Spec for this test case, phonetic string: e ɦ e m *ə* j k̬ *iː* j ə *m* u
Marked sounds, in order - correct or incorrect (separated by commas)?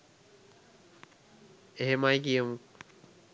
incorrect, incorrect, correct